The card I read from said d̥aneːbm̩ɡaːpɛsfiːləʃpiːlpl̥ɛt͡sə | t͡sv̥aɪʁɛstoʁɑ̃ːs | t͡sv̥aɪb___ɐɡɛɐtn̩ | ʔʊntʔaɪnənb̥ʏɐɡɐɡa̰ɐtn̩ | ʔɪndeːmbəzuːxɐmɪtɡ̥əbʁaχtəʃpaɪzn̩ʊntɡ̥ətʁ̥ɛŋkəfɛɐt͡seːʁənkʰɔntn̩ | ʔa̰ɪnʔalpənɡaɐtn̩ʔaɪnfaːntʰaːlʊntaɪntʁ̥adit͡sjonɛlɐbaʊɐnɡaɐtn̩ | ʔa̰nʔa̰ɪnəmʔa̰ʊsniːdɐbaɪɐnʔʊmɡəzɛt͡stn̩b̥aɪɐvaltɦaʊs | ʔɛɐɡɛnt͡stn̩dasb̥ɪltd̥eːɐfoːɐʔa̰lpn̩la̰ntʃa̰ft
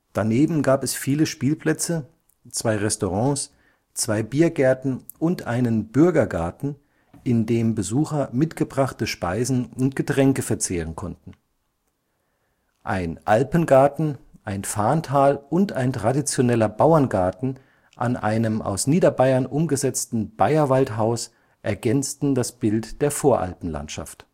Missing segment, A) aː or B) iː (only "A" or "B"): B